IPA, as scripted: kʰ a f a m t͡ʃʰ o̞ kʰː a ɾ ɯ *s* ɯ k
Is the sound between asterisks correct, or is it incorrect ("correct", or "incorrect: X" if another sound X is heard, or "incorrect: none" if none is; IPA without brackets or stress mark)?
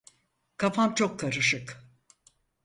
incorrect: ʃ